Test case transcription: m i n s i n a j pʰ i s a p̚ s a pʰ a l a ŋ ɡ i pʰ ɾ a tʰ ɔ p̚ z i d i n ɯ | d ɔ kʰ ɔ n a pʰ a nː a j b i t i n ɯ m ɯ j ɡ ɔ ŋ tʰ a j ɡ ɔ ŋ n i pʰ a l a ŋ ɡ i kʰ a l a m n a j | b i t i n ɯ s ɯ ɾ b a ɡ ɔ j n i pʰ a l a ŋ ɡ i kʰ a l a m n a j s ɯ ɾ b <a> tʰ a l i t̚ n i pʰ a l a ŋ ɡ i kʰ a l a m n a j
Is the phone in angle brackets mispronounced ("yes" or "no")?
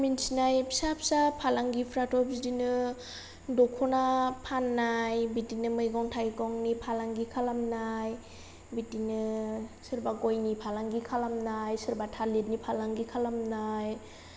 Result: no